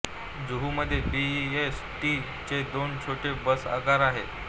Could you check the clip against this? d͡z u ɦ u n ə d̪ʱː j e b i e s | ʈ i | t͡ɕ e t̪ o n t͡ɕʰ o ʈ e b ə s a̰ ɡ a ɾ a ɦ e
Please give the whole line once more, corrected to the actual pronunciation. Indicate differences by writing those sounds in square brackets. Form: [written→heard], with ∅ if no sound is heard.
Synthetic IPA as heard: d͡z u ɦ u [n→m] ə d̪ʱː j e b i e s | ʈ i | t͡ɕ e [t̪→d̪] o n t͡ɕʰ o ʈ e b ə s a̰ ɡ a ɾ a ɦ e